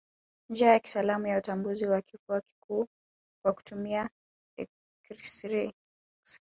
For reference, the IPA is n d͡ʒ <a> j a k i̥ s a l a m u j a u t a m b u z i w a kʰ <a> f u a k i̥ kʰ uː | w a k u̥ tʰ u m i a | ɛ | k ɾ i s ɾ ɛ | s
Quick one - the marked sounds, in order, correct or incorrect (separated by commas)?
correct, incorrect